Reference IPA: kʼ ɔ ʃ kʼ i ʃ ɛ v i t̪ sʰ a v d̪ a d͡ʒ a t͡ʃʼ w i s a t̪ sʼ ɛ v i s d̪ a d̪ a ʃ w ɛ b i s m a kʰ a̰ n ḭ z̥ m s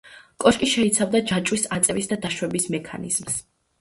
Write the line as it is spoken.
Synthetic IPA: kʼ ɔ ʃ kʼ i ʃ ɛ i t̪ sʰ a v d̪ a d͡ʒ a t͡ʃʼ w i s a t̪ sʼ ɛ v i s d̪ a d̪ a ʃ w ɛ b i s m ɛ kʰ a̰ n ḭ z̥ m s